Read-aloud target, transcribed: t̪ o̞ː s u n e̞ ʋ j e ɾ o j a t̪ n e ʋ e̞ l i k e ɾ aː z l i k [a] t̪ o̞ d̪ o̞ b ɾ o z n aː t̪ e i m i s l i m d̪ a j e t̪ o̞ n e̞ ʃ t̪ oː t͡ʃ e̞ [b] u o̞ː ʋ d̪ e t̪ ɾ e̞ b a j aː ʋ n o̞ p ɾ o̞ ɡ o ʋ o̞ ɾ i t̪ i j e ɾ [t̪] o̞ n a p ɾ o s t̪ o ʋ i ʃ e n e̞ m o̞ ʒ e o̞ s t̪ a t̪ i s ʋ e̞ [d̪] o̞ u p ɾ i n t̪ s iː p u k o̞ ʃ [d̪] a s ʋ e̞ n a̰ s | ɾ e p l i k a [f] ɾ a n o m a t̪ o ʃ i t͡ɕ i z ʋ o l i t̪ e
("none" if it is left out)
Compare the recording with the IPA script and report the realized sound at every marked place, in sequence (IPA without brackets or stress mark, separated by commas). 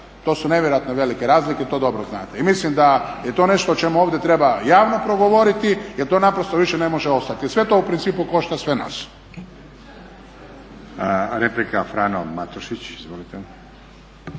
e, m, t̪, t̪, t̪, f